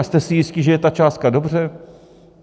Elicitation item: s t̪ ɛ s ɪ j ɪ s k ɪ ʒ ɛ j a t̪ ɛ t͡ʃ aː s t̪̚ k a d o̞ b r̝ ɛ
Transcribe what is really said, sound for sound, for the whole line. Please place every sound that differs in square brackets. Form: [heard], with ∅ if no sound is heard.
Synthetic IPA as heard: s t̪ ɛ s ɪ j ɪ s [c] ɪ ʒ ɛ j [ɛ] t̪ [a] t͡ʃ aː s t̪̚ k a d o̞ b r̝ ɛ